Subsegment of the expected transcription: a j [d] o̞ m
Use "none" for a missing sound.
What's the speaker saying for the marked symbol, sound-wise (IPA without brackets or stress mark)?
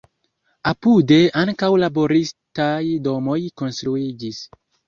d